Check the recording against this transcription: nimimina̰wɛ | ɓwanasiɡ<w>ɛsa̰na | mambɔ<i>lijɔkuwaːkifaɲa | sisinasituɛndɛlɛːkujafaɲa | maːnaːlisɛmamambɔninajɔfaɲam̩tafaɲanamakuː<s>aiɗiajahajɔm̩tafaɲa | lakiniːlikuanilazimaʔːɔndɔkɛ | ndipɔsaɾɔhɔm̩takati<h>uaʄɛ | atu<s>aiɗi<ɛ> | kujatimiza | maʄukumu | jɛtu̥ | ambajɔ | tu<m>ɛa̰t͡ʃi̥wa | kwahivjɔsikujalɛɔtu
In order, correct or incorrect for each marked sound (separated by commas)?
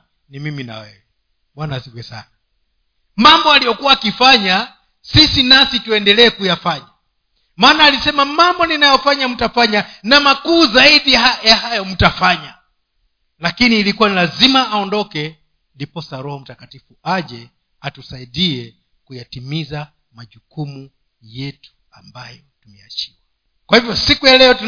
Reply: correct, incorrect, incorrect, incorrect, correct, correct, correct